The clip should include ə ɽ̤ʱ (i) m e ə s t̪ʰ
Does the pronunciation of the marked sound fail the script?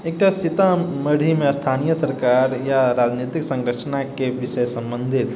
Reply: no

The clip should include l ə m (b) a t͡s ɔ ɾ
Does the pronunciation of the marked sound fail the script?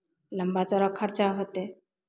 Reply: no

